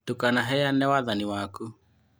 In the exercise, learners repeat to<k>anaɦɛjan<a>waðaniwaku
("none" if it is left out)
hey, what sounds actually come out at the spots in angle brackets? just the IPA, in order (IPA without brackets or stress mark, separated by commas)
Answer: k, ɛ